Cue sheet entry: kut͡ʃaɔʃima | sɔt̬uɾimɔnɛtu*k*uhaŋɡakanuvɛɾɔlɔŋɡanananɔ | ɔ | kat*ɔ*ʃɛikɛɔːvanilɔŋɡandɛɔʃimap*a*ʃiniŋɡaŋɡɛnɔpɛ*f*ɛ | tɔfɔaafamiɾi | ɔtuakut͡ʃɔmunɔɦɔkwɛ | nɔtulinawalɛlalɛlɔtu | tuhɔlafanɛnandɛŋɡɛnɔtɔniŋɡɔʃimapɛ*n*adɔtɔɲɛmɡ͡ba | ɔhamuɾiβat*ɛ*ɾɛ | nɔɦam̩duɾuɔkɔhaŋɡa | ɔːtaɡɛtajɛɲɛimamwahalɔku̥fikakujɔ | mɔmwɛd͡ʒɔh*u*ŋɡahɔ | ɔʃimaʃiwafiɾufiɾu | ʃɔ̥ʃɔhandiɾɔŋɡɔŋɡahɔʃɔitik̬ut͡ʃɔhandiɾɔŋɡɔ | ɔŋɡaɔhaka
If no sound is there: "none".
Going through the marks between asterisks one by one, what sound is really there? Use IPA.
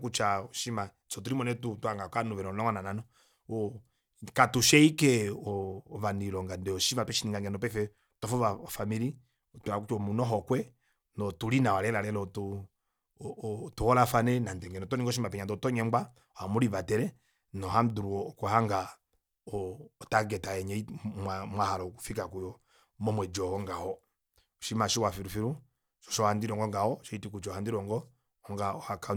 t, u, ɛ, f, ɲ, ɛ, ɔ

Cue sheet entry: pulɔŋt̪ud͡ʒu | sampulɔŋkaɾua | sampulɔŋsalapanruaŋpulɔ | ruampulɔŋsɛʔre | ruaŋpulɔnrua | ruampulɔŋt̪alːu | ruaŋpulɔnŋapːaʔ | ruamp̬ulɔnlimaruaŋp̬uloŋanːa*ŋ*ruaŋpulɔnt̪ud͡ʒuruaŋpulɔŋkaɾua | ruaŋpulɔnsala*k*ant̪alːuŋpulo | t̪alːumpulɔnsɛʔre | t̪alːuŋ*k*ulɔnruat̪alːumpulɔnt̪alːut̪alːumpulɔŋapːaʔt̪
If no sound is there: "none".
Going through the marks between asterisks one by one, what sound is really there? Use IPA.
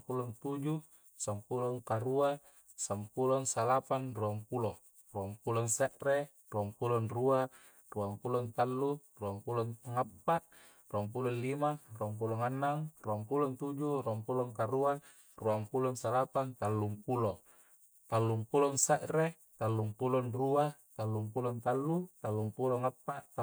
ŋ, p, p

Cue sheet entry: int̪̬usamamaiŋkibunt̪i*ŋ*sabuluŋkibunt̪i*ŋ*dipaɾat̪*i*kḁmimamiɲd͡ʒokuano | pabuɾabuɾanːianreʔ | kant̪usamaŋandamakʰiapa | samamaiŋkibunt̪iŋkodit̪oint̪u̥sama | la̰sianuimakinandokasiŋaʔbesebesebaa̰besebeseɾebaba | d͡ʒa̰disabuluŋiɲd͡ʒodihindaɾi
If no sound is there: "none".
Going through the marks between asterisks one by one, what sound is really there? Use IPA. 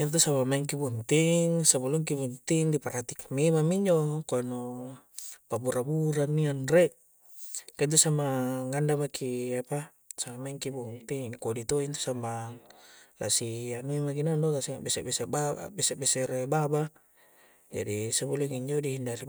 ŋ, ŋ, i

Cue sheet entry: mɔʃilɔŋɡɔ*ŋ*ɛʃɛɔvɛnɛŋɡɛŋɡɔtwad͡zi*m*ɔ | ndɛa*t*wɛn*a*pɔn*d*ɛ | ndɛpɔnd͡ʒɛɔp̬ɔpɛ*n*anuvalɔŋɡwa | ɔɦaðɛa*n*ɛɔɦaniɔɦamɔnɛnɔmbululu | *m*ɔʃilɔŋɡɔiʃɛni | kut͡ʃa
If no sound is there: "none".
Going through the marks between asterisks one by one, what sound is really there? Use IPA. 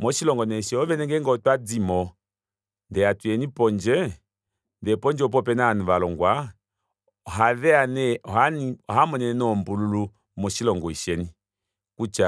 n, m, t, i, d͡ʒ, n, n, m

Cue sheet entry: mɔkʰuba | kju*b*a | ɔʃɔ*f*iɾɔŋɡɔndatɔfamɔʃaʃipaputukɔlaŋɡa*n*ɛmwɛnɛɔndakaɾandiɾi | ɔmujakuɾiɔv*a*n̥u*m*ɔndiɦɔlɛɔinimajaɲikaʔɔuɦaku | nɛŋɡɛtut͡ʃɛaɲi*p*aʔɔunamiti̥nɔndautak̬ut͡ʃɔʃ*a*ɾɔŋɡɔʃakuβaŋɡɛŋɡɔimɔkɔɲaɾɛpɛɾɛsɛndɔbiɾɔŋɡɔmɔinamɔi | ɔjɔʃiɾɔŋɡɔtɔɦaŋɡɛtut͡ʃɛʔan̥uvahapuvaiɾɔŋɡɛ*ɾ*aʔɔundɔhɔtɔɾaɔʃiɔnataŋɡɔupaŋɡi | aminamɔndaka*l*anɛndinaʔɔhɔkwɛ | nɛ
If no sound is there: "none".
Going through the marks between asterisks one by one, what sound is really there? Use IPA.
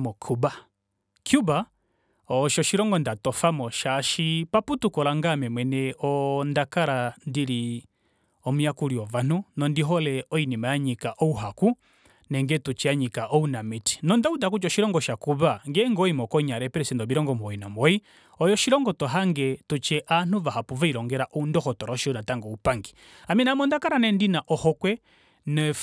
b, ʃ, m, a, n, k, i, ɾ, ɾ

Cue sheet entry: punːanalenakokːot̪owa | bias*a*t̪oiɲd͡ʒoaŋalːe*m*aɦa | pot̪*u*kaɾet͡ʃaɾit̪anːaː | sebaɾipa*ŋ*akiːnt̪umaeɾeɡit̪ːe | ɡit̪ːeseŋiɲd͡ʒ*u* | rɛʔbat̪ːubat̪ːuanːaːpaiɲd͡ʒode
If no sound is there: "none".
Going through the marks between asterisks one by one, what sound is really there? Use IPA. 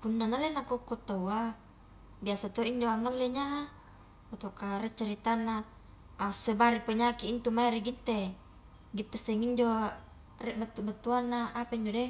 a, ɲ, o, ɲ, o

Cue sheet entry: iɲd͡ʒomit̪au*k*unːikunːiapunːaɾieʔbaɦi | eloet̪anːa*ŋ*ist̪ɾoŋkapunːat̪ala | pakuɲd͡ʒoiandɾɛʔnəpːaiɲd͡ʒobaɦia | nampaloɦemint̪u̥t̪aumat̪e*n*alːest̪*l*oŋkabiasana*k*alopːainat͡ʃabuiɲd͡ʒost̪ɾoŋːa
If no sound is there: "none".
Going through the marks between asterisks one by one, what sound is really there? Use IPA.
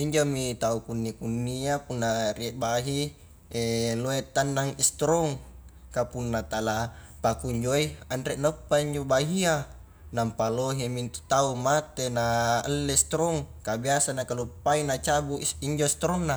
k, ŋ, n, ɾ, k

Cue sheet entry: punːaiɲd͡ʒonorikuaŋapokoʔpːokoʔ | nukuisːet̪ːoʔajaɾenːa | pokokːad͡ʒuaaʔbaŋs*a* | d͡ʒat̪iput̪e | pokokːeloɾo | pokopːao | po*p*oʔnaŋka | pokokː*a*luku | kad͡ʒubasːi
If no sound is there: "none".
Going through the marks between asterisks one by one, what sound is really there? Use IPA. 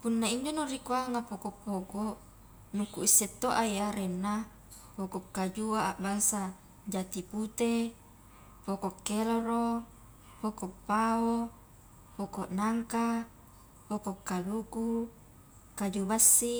a, k, a

